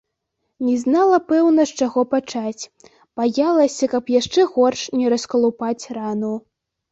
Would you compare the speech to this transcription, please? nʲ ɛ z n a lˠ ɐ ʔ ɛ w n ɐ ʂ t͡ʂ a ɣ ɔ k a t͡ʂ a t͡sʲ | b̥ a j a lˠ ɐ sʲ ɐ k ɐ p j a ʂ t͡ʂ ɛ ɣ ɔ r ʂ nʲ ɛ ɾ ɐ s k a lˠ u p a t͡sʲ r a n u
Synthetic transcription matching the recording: nʲ ɛ z n a lˠ ɐ p ɛ w n ɐ ʂ t͡ʂ a ɣ ɔ p a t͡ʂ a t͡sʲ | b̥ a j a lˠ ɐ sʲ ɐ k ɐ p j a ʂ t͡ʂ ɛ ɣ ɔ r ʂ nʲ ɛ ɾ ɐ s k ɐ lˠ u p a t͡sʲ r a n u